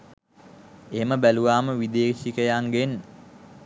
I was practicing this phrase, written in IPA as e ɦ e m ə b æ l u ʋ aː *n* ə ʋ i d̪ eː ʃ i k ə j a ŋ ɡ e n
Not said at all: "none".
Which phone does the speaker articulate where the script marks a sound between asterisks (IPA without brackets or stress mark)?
m